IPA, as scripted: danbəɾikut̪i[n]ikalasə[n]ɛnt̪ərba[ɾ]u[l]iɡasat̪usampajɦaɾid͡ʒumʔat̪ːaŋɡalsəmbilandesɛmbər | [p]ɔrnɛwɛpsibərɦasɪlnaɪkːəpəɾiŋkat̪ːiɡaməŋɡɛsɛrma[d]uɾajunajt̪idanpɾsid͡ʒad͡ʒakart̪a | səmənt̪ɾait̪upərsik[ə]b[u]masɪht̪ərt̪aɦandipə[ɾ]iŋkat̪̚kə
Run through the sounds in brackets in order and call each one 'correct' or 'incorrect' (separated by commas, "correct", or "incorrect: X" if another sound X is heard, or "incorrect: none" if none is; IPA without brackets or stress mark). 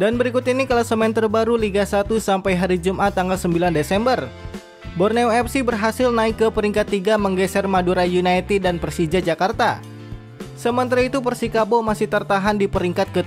correct, incorrect: m, correct, correct, incorrect: b, correct, incorrect: a, incorrect: o, correct